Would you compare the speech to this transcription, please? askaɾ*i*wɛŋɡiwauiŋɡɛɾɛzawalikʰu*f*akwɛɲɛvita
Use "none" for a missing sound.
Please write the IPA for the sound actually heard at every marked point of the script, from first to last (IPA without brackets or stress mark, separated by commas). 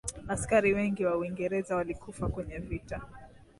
i, f